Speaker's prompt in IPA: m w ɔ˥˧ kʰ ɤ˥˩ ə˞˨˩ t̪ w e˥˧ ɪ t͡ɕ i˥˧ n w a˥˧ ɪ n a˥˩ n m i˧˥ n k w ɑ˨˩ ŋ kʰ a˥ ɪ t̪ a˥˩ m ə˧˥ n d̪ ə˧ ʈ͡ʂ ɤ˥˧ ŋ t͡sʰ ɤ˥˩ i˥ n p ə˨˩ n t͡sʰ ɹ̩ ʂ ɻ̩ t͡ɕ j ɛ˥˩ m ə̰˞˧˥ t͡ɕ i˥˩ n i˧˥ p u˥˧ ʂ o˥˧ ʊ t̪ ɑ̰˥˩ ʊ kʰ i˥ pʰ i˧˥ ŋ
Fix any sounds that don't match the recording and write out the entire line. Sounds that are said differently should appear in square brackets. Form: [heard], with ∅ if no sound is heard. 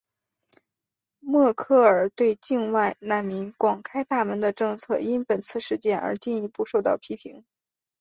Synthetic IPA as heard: m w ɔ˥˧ kʰ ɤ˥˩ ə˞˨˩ t̪ w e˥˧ ɪ t͡ɕ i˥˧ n w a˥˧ ɪ n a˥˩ n m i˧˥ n k w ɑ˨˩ ŋ kʰ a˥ ɪ t̪ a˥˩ m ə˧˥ n d̪ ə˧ ʈ͡ʂ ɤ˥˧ ŋ t͡sʰ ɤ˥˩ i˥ n p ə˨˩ n t͡sʰ ɹ̩ ʂ ɻ̩ t͡ɕ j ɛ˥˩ [n] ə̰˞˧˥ t͡ɕ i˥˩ n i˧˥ p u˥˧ ʂ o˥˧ ʊ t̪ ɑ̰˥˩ ʊ [pʰ] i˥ pʰ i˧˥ ŋ